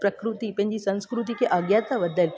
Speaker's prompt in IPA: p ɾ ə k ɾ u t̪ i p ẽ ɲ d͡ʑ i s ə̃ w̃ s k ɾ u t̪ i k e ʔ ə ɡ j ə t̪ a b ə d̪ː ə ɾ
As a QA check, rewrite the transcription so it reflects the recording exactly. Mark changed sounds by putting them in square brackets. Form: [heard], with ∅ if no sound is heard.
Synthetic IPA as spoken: p ɾ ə k ɾ u t̪ i p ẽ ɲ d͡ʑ i s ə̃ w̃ s k ɾ u t̪ i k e ʔ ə ɡ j [a] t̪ a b ə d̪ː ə [l]